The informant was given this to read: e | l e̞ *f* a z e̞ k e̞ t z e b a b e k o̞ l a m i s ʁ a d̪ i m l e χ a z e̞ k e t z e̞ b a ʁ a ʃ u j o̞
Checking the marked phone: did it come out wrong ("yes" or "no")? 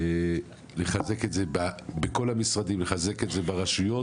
yes